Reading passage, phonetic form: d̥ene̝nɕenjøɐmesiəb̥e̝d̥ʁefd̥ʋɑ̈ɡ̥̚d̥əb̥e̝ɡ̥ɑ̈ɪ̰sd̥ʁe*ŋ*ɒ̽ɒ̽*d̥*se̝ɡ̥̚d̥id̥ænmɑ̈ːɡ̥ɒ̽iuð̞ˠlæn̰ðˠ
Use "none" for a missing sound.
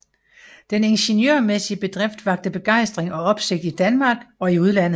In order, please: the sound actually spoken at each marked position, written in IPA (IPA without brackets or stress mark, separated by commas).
ŋ, b̥